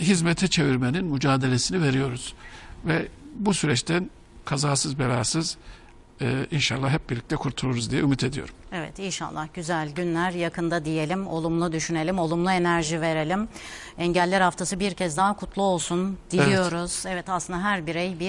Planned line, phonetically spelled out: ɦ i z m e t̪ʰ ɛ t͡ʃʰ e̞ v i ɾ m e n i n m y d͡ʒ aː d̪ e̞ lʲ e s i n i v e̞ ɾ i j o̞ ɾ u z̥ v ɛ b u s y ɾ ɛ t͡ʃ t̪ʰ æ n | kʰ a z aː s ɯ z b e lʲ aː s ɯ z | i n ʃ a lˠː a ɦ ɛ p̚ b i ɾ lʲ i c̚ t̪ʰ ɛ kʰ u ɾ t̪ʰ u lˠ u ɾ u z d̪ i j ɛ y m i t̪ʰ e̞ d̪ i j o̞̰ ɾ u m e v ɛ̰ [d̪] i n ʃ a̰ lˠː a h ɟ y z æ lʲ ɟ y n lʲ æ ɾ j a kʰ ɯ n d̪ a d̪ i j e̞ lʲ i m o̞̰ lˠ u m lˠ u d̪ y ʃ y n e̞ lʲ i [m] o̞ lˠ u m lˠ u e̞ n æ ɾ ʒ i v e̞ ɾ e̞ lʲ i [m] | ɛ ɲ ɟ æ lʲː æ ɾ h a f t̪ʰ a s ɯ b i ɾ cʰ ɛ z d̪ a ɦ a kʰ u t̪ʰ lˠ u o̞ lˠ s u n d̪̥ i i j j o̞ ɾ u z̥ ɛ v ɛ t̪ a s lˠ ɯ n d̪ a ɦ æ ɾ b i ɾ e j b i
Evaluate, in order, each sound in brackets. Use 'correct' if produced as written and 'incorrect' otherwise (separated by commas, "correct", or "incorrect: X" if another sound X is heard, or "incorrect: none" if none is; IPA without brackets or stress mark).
incorrect: t̪, correct, correct